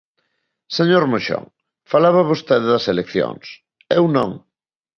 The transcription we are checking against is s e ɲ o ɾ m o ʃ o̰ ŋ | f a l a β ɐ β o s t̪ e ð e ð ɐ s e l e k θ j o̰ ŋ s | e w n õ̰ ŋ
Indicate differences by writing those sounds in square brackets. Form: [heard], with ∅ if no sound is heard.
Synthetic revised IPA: s e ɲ o ɾ m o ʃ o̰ ŋ | f a l a β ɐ β o s t̪ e ð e ð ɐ s e l e k θ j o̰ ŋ s | e w n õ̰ ŋ

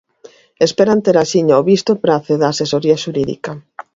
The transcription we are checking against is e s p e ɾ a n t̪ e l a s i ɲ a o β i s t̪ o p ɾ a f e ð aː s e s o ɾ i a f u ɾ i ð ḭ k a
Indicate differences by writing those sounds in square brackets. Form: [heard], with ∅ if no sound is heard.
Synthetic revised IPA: e s p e ɾ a n t̪ e [ɾ] a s i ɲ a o β i s t̪ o p ɾ a [θ] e ð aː s e s o ɾ i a [ʃ] u ɾ i ð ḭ k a

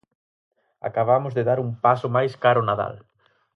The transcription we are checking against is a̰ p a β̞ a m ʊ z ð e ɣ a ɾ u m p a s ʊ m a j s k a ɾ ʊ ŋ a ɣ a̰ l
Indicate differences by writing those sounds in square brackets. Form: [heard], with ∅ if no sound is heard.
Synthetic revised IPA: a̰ [k] a β̞ a m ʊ z ð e [ð] a ɾ u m p a s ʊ m a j s k a ɾ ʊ [n] a [ð] a̰ l

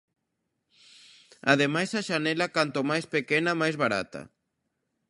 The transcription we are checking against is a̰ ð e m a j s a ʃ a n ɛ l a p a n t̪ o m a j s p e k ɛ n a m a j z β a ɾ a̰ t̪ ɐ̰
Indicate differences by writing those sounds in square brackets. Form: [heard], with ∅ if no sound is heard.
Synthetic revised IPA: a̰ ð e m a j s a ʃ a n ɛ l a [k] a n t̪ o m a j s p e k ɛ n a m a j z β a ɾ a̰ t̪ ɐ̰

